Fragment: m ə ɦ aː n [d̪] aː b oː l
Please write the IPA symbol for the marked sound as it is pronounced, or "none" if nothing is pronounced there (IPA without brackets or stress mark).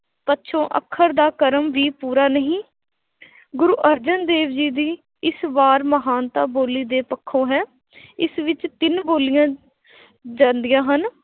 t̪